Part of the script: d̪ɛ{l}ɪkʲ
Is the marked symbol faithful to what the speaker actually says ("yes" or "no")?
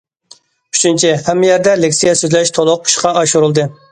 yes